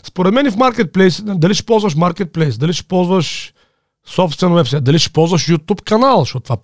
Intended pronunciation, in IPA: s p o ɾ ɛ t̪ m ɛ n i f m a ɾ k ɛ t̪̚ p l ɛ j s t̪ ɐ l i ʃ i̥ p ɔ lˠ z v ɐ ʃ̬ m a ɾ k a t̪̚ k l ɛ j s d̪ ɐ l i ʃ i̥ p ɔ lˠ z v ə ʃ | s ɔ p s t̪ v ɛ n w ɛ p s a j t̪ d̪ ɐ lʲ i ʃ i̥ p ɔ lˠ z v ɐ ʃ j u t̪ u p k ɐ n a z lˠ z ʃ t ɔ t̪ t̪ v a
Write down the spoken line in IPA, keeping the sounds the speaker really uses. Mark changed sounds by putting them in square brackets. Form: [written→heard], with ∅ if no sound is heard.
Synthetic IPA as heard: s p o ɾ ɛ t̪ m ɛ n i f m a ɾ k ɛ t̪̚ p l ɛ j s [t̪→d̪] ɐ l i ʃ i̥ p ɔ lˠ z v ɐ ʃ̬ m a ɾ k [a→ɛ] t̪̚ [k→p] l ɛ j s d̪ ɐ l i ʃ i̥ p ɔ lˠ z v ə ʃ | s ɔ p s t̪ v ɛ n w ɛ p s a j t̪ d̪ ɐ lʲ i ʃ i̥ p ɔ lˠ z v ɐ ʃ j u t̪ u p k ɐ n a [z→∅] lˠ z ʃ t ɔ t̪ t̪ v a